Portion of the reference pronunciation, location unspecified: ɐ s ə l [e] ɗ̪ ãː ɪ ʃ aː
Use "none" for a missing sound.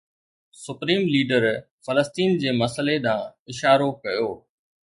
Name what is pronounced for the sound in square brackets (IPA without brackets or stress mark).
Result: e